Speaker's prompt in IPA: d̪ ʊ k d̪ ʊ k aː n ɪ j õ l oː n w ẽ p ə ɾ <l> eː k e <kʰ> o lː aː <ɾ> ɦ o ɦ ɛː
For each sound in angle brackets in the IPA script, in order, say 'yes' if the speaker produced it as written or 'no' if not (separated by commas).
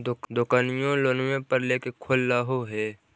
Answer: yes, yes, no